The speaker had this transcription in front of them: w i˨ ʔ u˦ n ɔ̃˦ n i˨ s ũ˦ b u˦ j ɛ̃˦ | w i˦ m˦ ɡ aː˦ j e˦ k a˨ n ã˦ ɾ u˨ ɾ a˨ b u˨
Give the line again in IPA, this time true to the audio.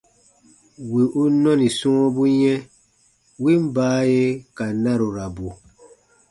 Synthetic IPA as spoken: w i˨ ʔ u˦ n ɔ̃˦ n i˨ s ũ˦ b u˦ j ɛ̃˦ | w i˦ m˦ b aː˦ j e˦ k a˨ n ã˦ ɾ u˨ ɾ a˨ b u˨